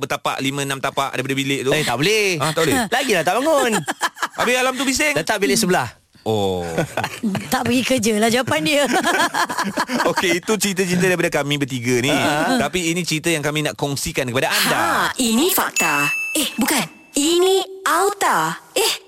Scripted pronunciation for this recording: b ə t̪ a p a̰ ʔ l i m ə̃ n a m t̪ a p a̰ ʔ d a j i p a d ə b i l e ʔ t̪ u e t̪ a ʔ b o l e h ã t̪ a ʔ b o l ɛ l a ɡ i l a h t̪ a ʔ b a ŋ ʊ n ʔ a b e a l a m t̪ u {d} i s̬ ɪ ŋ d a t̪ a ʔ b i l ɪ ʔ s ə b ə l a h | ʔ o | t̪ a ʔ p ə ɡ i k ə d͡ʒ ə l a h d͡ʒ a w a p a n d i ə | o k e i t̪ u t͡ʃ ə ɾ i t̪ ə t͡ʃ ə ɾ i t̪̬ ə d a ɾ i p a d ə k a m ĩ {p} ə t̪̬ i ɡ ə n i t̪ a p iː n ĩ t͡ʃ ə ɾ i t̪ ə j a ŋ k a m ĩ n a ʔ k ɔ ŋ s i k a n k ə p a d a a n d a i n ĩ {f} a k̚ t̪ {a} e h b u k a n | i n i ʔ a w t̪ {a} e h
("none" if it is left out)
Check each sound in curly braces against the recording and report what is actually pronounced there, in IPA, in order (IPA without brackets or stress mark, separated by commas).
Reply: b, b, f, a, a